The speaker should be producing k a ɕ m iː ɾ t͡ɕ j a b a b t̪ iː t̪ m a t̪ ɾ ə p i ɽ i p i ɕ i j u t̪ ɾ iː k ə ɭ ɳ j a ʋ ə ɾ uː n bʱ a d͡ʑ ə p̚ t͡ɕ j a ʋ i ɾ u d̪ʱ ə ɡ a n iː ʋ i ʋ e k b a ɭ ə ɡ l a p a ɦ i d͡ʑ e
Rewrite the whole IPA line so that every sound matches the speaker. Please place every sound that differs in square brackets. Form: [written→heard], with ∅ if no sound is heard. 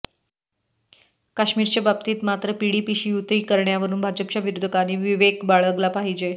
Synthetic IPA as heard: k a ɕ m iː ɾ t͡ɕ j a b a b t̪ iː t̪ m a t̪ ɾ ə p i ɽ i p i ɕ i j u t̪ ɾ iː k ə [ɭ→ɾ] ɳ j a ʋ ə ɾ uː n bʱ a d͡ʑ ə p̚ t͡ɕ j a ʋ i ɾ u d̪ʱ ə [ɡ→k] a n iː ʋ i ʋ e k b a ɭ ə ɡ l a p a ɦ i d͡ʑ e